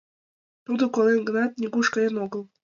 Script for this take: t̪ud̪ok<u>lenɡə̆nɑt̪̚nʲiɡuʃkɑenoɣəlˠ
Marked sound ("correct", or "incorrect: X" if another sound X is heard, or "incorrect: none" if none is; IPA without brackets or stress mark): incorrect: o